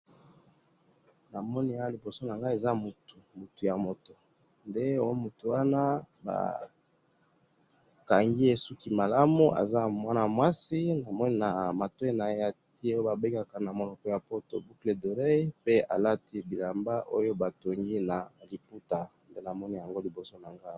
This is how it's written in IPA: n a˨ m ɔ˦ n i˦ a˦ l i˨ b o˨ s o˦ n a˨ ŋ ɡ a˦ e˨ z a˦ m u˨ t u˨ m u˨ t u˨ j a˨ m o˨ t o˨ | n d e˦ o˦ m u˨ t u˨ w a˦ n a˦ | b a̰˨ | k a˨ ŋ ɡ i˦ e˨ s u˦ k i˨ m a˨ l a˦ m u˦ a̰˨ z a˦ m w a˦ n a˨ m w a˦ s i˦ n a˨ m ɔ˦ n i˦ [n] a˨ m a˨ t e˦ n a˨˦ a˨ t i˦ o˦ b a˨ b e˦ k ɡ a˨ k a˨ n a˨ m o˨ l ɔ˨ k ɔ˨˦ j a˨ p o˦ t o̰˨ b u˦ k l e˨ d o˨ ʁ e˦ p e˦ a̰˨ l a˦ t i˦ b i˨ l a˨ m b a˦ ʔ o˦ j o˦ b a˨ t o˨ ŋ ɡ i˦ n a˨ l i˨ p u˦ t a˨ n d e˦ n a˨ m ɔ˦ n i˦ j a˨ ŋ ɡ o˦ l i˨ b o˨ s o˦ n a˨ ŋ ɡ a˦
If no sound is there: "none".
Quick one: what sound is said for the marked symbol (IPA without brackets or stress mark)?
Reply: n